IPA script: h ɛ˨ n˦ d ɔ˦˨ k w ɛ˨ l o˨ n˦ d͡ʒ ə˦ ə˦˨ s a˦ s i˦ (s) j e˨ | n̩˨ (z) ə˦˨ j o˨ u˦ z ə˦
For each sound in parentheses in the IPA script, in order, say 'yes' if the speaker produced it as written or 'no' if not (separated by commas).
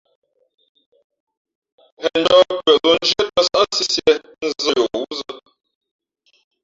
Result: yes, yes